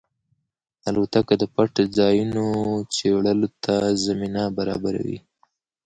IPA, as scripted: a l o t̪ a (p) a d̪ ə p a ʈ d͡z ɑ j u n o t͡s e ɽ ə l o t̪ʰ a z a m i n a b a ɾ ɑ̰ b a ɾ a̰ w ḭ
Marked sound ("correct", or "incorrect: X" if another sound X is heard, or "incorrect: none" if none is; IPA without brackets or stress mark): incorrect: k